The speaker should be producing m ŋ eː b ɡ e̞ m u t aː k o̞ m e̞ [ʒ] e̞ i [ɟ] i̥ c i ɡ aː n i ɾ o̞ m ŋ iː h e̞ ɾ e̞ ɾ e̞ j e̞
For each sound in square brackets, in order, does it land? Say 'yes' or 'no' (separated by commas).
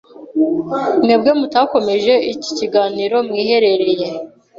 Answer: yes, no